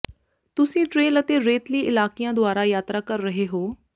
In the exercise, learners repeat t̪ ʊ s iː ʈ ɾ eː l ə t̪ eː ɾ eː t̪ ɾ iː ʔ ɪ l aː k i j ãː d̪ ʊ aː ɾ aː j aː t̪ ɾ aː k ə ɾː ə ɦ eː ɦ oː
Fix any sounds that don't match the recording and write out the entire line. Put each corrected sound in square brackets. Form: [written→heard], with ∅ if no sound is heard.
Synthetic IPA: t̪ ʊ s [iː→ĩː] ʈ ɾ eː l ə t̪ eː ɾ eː t̪ [ɾ→l] iː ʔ ɪ l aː k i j ãː d̪ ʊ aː ɾ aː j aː t̪ ɾ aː k ə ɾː ə ɦ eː ɦ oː